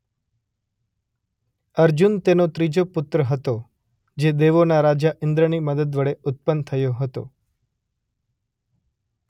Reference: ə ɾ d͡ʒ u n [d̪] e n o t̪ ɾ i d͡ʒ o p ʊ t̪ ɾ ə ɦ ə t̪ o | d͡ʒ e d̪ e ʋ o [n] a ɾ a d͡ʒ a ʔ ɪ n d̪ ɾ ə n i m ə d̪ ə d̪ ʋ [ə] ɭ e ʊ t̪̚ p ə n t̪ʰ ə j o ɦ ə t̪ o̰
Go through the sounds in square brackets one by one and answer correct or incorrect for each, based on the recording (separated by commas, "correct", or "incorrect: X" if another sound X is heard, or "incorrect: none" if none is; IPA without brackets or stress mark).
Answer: incorrect: t̪, correct, correct